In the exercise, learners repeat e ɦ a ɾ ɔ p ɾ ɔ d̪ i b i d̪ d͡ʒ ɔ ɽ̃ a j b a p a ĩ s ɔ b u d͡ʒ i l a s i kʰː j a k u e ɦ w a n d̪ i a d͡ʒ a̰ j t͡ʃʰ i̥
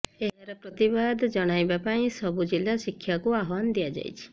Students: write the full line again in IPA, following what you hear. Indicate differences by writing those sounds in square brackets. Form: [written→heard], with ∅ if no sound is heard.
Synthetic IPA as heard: e ɦ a ɾ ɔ p ɾ ɔ [d̪→t̪] i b [i→a] d̪ d͡ʒ ɔ ɽ̃ a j b a p a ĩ s ɔ b u d͡ʒ i l a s i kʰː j a k u [e→a] ɦ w a n d̪ i a d͡ʒ a̰ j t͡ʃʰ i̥